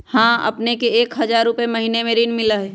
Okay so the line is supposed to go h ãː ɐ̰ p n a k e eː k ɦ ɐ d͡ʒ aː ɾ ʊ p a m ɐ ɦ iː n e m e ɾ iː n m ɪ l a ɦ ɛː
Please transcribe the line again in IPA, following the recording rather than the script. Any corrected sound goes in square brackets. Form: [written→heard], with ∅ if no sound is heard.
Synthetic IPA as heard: h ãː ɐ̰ p n [a→e] k e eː k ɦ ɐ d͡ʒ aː ɾ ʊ p [a→e] m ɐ ɦ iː n e m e ɾ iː n m ɪ l a ɦ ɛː